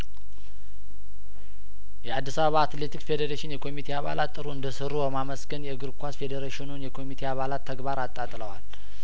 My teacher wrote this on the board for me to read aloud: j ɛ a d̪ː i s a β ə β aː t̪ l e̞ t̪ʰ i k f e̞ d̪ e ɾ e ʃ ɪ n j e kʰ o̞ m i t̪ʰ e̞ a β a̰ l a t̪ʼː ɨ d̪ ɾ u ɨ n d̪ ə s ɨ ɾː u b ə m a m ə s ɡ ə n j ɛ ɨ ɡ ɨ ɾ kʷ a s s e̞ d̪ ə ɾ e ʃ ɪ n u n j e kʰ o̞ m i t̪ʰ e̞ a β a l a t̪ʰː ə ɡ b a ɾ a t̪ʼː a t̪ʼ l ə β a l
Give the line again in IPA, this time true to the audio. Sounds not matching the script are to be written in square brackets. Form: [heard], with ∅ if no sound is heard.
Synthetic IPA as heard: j ɛ a d̪ː i s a β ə β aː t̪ l e̞ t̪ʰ i k f e̞ d̪ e ɾ e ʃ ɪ n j [ɛ] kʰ o̞ m i t̪ʰ e̞ a β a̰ l a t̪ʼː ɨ [∅] ɾ u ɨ n d̪ ə s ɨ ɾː u b ə m a m ə s ɡ ə n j ɛ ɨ ɡ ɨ ɾ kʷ a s [f] e̞ d̪ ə ɾ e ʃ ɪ n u n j [ɛ] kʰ o̞ m i t̪ʰ e̞ a β a l a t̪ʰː ə ɡ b a ɾ a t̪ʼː a t̪ʼ l ə [w] a l

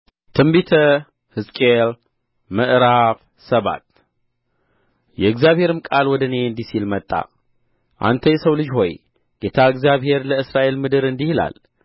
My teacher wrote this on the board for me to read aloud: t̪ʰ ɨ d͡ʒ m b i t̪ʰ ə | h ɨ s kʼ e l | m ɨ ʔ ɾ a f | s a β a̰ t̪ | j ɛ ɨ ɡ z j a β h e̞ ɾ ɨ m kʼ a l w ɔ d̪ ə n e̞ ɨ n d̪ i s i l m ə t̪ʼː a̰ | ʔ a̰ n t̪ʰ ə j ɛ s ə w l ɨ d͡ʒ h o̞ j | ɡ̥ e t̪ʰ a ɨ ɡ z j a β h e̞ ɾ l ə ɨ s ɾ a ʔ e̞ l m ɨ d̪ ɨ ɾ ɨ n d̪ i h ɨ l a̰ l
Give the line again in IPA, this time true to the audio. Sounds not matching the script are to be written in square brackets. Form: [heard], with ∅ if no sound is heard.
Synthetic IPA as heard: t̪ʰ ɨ [∅] m b i t̪ʰ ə | h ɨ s kʼ e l | m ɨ ʔ ɾ a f | s [ə] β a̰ t̪ | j ɛ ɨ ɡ z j a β h e̞ ɾ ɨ m kʼ a l w ɔ d̪ ə n e̞ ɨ n d̪ i s i l m ə t̪ʼː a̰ | ʔ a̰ n t̪ʰ ə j ɛ s ə w l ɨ d͡ʒ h o̞ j | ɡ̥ e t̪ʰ a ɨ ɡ z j a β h e̞ ɾ l ə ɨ s ɾ a ʔ e̞ l m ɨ d̪ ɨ ɾ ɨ n d̪ i h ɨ l a̰ l

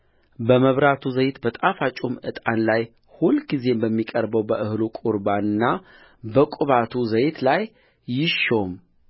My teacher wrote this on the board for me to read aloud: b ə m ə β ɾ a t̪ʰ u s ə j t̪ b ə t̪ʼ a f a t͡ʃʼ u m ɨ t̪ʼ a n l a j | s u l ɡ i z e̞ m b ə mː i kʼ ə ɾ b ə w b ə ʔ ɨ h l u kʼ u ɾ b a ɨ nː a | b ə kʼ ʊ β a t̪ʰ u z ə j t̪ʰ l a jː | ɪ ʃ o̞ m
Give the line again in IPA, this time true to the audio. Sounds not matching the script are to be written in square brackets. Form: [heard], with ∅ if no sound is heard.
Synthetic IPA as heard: b ə m ə β ɾ a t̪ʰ u [z] ə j t̪ b ə t̪ʼ a f a t͡ʃʼ u m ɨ t̪ʼ a n l a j | [h] u l ɡ i z e̞ m b ə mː i kʼ ə ɾ b ə w b ə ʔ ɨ h l u kʼ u ɾ b a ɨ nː a | b ə kʼ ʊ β a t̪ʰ u z ə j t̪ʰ l a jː | ɪ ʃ o̞ m

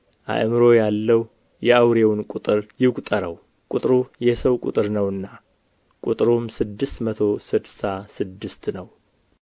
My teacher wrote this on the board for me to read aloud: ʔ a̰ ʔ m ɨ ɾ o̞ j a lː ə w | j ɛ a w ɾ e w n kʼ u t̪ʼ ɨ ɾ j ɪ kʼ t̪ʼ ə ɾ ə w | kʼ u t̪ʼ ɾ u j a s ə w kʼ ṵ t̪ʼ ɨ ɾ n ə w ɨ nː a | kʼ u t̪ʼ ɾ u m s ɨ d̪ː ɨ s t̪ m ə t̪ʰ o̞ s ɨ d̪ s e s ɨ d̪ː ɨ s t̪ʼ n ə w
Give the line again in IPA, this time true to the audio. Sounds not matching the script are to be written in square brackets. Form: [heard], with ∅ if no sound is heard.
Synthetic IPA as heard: ʔ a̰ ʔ m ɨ ɾ o̞ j a lː ə w | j ɛ a w ɾ e w n kʼ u t̪ʼ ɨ ɾ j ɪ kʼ t̪ʼ ə ɾ ə w | kʼ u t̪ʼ ɾ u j [ɛ] s ə w kʼ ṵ t̪ʼ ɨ ɾ n ə w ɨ nː a | kʼ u t̪ʼ ɾ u m s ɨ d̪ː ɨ s t̪ m ə t̪ʰ o̞ s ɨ d̪ s [a] s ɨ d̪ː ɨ s [t̪] n ə w

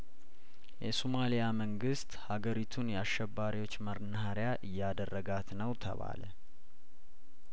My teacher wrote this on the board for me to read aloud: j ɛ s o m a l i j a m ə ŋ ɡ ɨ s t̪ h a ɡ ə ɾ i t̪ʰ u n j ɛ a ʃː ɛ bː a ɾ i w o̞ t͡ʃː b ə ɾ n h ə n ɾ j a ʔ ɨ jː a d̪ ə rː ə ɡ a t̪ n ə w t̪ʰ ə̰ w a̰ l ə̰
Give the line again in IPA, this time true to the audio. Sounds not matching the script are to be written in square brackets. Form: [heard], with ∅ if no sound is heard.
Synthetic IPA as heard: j ɛ s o m a l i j a m ə ŋ ɡ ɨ s t̪ h a ɡ ə ɾ i t̪ʰ u n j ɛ a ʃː ɛ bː a ɾ i w o̞ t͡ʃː [m] ə ɾ n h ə [∅] ɾ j a ʔ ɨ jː a d̪ ə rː ə ɡ a t̪ n ə w t̪ʰ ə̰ [β] a̰ l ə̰

